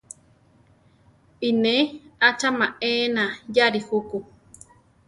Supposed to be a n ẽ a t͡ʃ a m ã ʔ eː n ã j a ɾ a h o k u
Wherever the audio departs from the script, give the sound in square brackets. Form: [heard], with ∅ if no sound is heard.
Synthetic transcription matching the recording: [i] n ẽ a t͡ʃ a m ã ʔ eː n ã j a ɾ [i] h [u] k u